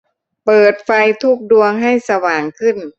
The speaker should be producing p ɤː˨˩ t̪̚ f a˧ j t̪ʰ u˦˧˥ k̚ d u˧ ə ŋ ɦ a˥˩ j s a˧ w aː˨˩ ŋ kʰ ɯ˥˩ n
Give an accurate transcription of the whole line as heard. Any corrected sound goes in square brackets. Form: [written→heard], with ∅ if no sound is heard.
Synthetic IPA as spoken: p ɤː˨˩ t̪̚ f a˧ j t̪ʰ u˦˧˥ k̚ d u˧ ə ŋ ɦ a˥˩ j s a˧ w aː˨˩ ŋ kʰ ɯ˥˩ n